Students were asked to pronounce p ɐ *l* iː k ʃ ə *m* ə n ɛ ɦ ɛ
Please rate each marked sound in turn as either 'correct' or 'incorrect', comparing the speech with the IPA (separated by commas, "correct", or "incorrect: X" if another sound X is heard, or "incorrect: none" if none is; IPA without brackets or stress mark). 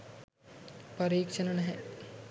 incorrect: ɾ, incorrect: n